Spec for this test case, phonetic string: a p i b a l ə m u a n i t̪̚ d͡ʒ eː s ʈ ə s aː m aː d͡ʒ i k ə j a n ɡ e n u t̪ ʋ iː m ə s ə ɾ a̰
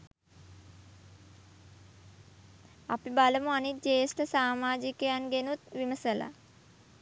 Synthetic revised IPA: a p i b a l ə m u a n i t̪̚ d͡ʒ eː s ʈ ə s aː m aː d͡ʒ i k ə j a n ɡ e n u t̪ ʋ i m ə s ə l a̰

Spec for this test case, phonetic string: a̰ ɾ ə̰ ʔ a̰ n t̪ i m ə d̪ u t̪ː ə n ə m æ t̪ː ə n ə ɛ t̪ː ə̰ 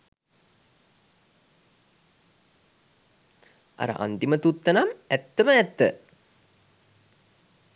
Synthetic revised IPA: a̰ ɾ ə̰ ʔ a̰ n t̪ i m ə t̪ u t̪ː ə n a m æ t̪ː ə m ə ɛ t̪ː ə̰

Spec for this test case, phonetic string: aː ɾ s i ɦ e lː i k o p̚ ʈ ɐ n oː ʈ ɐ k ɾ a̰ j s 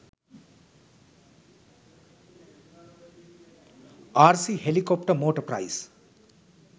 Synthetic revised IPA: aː ɾ s i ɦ e l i k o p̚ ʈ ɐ m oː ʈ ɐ p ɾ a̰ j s

